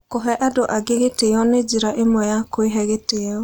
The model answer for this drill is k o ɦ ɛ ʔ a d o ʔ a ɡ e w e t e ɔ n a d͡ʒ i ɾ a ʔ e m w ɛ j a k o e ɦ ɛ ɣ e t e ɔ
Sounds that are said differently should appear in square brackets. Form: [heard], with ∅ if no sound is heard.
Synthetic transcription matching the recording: k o ɦ ɛ ʔ a d o ʔ a ɡ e [ɣ] e t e ɔ n [e] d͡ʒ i ɾ a ʔ e m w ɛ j a k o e ɦ ɛ ɣ e t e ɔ